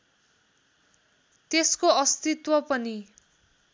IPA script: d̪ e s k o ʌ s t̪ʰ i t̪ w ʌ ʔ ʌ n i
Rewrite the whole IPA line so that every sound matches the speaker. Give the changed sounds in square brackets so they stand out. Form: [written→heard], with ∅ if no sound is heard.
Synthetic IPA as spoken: [d̪→t̪] e s k o ʌ s [t̪ʰ→t̪] i t̪ w ʌ [ʔ→p] ʌ n i